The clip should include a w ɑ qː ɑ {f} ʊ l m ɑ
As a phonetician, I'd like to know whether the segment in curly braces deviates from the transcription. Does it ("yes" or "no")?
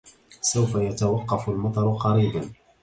no